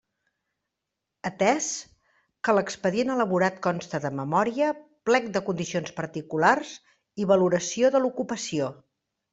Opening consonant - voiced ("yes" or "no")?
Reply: no